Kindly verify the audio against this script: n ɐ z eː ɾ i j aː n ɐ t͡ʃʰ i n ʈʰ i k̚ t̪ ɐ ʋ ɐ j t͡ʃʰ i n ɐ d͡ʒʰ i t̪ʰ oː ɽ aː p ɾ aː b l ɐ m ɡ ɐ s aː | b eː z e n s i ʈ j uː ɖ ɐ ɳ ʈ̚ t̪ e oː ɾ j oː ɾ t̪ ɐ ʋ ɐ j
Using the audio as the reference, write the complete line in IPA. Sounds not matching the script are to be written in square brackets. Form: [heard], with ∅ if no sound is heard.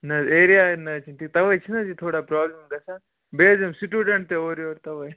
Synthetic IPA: n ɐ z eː ɾ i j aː n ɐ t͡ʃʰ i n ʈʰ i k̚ t̪ ɐ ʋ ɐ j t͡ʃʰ i n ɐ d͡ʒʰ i t̪ʰ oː ɽ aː p ɾ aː b l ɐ m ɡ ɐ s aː | b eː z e [m] s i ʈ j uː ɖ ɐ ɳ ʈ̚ t̪ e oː ɾ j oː ɾ t̪ ɐ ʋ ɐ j